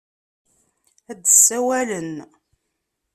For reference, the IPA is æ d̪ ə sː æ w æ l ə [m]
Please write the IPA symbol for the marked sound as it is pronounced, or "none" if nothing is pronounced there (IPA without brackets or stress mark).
n